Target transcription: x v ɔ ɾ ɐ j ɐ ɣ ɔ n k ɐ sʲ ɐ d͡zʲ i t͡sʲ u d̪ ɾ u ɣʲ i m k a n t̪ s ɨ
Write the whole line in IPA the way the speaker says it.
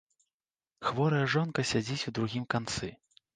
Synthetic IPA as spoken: x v ɔ ɾ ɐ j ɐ ʐ ɔ n k ɐ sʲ a d͡zʲ i t͡sʲ u d̪ ɾ u ɣʲ i m k a n t̪ s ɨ